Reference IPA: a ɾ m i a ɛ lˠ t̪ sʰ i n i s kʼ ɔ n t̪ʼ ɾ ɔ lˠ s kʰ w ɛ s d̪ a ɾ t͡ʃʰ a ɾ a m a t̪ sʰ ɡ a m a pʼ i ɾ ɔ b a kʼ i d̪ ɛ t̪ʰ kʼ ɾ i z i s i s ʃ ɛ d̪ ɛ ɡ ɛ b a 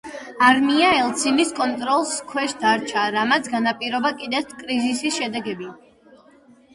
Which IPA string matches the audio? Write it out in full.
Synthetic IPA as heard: a ɾ m i a ɛ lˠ t̪ sʰ i n i s kʼ ɔ n t̪ʼ ɾ ɔ lˠ s kʰ w ɛ ʃ d̪ a ɾ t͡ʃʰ a ɾ a m a t̪ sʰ ɡ a n a pʼ i ɾ ɔ b a kʼ i d̪ ɛ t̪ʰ kʼ ɾ i z i s i s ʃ ɛ d̪ ɛ ɡ ɛ b i

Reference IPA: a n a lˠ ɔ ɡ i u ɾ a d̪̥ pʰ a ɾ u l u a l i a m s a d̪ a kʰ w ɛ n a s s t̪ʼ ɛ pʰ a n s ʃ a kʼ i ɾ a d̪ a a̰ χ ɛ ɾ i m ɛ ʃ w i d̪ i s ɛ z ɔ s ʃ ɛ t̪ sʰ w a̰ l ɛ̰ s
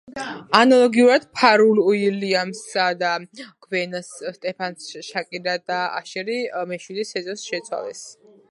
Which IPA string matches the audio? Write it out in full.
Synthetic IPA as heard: a n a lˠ ɔ ɡ i u ɾ a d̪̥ pʰ a ɾ u l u i l i a m s a d̪ a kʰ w ɛ n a s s t̪ʼ ɛ pʰ a n s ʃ a kʼ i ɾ a d̪ a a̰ ʃ ɛ ɾ i m ɛ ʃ w i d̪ i s ɛ z ɔ s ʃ ɛ t̪ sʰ w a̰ l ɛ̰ s

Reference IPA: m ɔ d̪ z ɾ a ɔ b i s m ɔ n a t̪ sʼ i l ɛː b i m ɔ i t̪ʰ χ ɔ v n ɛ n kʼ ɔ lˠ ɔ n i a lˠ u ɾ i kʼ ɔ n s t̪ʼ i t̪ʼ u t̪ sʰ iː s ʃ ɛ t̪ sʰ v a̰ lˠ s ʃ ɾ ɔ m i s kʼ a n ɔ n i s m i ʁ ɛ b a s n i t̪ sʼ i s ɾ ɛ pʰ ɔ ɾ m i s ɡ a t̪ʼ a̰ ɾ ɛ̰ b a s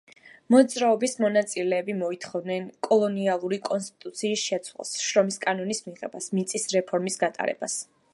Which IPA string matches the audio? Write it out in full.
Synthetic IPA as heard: m ɔ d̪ z ɾ a ɔ b i s m ɔ n a t̪ sʼ i l ɛː b i m ɔ i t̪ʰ χ ɔ v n ɛ n kʼ ɔ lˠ ɔ n i a lˠ u ɾ i kʼ ɔ n s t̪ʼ i t̪ʼ u t̪ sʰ iː s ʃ ɛ t̪ sʰ w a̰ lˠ s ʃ ɾ ɔ m i s kʼ a n ɔ n i s m i ʁ ɛ b a s m i t̪ sʼ i s ɾ ɛ pʰ ɔ ɾ m i s ɡ a t̪ʼ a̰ ɾ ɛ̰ b a s

